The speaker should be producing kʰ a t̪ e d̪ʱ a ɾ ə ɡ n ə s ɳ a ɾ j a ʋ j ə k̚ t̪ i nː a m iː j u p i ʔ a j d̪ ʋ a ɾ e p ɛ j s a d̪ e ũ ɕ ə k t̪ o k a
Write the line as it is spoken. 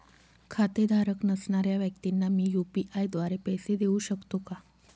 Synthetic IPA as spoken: kʰ a t̪ e d̪ʱ a ɾ ə k n ə s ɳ a ɾ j a ʋ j ə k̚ t̪ i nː a m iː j u p i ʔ a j d̪ ʋ a ɾ e p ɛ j s e d̪ e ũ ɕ ə k t̪ o k a

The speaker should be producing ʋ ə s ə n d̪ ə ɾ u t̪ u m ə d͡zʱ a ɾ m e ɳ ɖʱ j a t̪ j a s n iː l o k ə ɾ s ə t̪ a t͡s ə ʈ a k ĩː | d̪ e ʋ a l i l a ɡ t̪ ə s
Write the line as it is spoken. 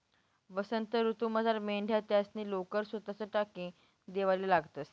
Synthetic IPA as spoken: ʋ ə s ə n t̪ ə ɾ u t̪ u m ə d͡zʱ a ɾ m e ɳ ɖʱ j a t̪ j a s n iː l o k ə ɾ s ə t̪ a t͡s ə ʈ a k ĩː | d̪ e ʋ a l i l a ɡ t̪ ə s

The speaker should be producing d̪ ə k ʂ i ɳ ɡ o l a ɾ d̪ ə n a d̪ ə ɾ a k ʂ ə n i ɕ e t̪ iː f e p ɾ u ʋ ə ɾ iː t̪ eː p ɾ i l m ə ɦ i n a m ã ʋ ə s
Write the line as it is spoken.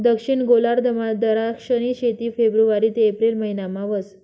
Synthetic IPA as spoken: d̪ ə k ʂ i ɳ ɡ o l a ɾ d̪ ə m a d̪ ə ɾ a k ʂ ə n i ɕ e t̪ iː f e b ɾ u ʋ a ɾ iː t̪ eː p ɾ i l m ə ɦ i n a m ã ʋ ə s

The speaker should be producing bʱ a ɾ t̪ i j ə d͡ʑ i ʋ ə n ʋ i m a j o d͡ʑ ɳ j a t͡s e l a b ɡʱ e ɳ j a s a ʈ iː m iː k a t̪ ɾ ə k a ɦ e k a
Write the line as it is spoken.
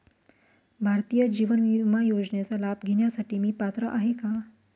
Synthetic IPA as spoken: bʱ a ɾ t̪ i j ə d͡ʑ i ʋ ə n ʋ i m a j o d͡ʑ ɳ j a t͡s a l a b ɡʱ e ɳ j a s a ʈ iː m iː p a t̪ ɾ ə ʔ a ɦ e k a

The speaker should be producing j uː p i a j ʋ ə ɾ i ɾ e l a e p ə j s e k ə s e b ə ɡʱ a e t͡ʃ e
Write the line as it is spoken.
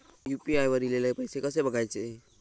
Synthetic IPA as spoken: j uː p i a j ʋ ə ɾ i l e l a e p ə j s e k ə s e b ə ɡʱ a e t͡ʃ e

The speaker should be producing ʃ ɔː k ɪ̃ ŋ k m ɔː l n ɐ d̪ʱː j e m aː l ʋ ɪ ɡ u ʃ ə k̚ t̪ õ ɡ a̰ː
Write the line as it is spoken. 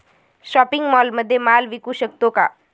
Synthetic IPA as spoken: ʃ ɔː p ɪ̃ ŋ ɡ m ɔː l m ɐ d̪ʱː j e m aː l ʋ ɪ k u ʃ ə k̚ t̪ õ k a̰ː

